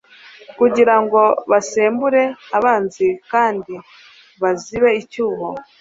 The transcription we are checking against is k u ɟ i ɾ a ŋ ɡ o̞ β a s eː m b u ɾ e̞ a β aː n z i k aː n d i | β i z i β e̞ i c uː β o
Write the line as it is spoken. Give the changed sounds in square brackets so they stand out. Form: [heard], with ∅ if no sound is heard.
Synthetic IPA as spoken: k u ɟ i ɾ a ŋ ɡ o̞ β a s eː m b u ɾ e̞ a β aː n z i k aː n d i | β [a] z i β e̞ i c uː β o